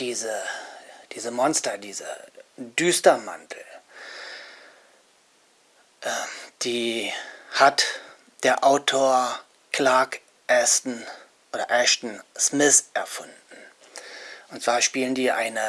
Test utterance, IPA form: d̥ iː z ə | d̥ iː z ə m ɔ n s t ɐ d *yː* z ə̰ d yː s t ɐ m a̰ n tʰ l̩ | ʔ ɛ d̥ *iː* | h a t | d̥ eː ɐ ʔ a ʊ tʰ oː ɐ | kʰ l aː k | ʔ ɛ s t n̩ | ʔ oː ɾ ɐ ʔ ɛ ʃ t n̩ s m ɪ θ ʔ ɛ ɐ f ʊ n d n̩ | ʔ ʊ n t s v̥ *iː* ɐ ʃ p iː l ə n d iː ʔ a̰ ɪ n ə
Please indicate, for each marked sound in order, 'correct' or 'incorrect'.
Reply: incorrect: iː, correct, incorrect: aː

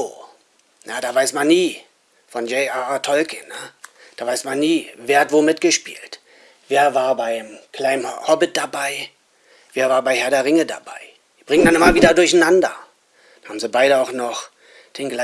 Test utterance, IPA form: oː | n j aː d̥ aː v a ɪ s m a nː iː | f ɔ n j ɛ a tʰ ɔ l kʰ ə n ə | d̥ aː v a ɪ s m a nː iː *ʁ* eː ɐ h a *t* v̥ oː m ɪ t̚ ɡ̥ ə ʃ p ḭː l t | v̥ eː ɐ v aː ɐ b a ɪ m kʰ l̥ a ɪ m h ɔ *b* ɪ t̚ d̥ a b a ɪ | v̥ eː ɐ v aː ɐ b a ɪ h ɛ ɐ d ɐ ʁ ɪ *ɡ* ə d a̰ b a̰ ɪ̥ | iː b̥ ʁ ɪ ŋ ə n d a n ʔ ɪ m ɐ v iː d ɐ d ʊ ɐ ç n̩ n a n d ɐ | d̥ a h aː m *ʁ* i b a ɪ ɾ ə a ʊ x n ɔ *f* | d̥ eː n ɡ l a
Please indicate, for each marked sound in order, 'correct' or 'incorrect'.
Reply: incorrect: v, correct, correct, incorrect: ŋ, incorrect: z, incorrect: χ

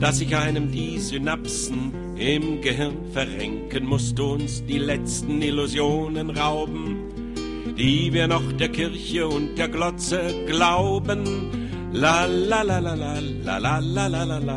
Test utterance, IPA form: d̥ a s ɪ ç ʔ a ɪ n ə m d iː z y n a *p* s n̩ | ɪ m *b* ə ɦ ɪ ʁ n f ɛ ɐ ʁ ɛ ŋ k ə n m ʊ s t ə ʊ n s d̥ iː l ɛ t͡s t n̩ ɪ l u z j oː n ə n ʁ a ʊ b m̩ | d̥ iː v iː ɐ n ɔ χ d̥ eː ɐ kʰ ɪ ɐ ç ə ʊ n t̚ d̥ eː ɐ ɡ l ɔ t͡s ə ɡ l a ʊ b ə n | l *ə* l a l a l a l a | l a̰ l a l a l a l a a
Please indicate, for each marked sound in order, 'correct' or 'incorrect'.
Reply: correct, incorrect: ɡ, incorrect: a

